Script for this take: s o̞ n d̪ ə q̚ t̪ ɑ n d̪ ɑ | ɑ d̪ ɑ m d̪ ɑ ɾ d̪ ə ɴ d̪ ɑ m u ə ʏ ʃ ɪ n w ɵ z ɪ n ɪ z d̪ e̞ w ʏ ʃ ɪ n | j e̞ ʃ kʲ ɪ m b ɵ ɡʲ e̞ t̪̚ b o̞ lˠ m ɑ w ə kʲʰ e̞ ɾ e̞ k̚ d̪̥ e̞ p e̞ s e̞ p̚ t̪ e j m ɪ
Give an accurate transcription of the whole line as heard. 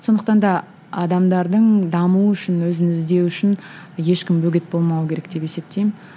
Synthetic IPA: s o̞ n d̪ ə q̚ t̪ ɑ n d̪ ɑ | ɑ d̪ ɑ m d̪ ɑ ɾ d̪ ə ɴ d̪ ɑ m u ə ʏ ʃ ɪ n w ɵ z ɪ n ɪ z d̪ e̞ w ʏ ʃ ɪ n | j e̞ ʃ kʲ ɪ m b ɵ ɡʲ e̞ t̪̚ b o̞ lˠ m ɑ w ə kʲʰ e̞ ɾ e̞ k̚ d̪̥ e̞ p e̞ s e̞ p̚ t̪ e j m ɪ